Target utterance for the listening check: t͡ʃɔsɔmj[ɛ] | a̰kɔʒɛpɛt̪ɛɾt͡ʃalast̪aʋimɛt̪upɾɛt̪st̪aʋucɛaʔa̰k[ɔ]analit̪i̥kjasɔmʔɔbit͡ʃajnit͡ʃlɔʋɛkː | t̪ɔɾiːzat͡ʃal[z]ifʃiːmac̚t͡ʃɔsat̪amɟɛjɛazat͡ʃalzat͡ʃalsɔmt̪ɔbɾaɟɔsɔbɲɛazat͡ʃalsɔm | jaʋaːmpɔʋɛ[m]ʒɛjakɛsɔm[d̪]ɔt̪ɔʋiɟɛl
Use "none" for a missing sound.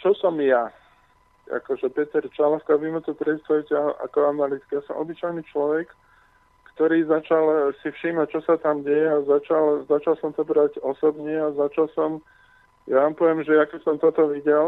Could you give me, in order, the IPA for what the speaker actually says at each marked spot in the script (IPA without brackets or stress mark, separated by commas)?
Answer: a, ɔ, s, m, t̪